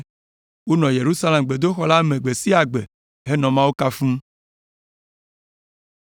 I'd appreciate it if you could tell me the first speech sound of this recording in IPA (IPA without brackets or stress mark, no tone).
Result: w